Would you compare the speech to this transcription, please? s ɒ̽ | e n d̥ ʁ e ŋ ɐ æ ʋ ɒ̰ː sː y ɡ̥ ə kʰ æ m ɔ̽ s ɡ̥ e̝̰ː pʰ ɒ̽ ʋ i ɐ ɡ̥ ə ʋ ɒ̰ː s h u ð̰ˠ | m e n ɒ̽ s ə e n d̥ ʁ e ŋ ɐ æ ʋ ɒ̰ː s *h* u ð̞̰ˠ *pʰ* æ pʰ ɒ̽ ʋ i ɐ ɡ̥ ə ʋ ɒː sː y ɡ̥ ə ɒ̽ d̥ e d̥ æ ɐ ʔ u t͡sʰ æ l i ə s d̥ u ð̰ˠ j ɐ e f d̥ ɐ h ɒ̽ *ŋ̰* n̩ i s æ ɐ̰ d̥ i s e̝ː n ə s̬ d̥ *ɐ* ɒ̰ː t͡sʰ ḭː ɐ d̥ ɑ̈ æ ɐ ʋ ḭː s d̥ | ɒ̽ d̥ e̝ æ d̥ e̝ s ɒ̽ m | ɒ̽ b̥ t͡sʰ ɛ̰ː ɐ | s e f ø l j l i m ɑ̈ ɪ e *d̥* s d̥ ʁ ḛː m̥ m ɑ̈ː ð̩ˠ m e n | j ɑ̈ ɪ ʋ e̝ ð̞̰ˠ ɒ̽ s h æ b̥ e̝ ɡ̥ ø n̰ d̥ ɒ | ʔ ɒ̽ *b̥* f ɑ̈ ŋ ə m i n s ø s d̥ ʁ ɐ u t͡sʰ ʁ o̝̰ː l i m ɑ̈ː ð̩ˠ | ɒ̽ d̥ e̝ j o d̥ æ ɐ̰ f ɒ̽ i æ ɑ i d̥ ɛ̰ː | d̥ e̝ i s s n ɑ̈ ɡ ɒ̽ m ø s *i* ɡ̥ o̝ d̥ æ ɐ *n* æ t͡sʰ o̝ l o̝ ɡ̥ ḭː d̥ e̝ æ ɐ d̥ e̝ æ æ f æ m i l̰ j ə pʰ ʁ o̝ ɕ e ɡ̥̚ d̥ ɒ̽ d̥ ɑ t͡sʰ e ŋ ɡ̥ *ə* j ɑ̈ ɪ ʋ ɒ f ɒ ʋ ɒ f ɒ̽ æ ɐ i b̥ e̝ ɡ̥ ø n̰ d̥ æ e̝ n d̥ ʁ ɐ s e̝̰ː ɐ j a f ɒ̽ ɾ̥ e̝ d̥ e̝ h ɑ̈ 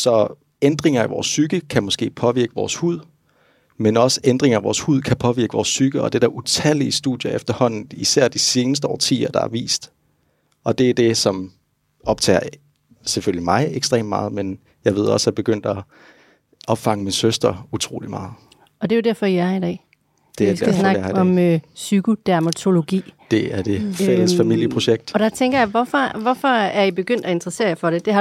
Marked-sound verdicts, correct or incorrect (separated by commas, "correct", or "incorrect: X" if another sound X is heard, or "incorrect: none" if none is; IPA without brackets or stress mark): correct, incorrect: kʰ, incorrect: n̰, incorrect: ə, incorrect: ɡ̥, correct, incorrect: y, incorrect: m, incorrect: ɐ